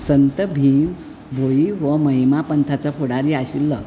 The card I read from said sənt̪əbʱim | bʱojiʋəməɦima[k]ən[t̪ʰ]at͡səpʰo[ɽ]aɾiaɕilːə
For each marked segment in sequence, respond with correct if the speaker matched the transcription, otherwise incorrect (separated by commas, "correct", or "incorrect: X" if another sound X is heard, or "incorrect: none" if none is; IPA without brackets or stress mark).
incorrect: p, correct, correct